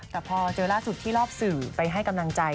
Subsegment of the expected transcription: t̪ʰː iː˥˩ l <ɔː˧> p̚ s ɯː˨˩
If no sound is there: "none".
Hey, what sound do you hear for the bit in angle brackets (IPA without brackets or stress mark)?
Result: ɔː˥˩